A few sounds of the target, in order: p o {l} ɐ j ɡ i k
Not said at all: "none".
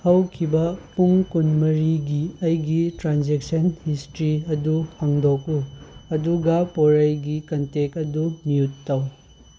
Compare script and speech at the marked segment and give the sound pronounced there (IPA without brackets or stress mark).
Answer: ɾ